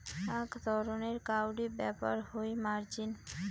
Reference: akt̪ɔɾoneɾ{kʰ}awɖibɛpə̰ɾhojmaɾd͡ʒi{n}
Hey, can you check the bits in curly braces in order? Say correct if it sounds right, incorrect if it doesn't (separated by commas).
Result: incorrect, correct